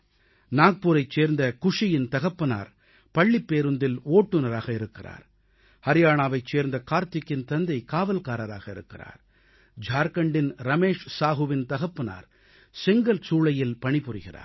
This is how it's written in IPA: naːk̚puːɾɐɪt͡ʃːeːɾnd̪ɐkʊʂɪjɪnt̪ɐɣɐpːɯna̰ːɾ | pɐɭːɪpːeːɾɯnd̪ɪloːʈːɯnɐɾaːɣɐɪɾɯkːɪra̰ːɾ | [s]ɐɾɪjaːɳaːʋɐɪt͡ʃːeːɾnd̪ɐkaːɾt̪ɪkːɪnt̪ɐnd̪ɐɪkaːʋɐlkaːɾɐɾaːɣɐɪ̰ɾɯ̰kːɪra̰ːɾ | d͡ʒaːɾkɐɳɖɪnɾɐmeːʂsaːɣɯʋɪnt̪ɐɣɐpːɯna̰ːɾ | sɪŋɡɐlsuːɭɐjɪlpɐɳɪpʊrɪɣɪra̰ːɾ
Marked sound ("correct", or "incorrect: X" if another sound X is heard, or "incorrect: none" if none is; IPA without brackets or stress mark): incorrect: h